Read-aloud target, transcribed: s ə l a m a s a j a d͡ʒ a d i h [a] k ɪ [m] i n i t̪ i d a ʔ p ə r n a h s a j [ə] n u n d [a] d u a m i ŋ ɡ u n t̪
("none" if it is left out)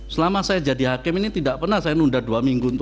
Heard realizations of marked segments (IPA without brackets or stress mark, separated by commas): a, m, a, a